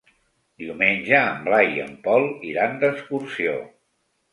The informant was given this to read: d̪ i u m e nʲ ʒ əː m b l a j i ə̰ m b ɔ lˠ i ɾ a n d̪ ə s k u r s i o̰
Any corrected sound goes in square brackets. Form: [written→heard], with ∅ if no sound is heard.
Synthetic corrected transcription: d̪ i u m e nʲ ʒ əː m b l a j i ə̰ m [b→p] ɔ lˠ i ɾ a n d̪ ə s k u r s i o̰